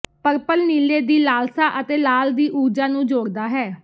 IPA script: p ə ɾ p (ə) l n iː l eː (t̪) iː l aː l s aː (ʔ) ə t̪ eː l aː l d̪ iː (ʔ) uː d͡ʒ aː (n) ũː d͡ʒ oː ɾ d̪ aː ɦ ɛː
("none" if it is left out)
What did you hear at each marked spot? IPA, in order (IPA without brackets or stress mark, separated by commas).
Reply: ə, d̪, ʔ, ʔ, n